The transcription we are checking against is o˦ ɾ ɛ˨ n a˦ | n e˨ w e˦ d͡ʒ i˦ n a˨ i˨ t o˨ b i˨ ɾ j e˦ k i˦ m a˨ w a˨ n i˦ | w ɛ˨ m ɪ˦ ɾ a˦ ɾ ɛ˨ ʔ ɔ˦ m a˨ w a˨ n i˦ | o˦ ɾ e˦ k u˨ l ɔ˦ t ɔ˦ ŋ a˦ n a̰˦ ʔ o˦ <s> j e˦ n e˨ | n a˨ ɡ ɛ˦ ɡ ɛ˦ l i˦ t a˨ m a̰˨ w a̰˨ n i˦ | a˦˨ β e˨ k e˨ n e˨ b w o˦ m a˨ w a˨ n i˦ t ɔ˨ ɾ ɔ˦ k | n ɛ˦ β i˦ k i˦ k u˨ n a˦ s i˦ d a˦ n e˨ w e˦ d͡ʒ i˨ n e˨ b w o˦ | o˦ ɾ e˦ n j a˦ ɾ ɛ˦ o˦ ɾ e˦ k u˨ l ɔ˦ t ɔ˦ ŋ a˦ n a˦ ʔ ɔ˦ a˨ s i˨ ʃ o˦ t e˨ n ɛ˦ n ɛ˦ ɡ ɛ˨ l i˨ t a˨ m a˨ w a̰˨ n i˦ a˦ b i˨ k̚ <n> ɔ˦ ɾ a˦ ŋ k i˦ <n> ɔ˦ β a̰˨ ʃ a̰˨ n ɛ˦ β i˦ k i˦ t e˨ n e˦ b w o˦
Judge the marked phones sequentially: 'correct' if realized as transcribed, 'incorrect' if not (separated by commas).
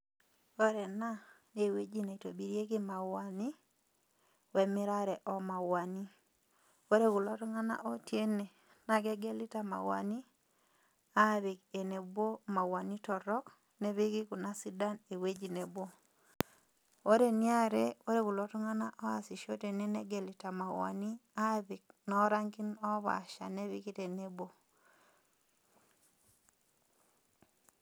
incorrect, correct, correct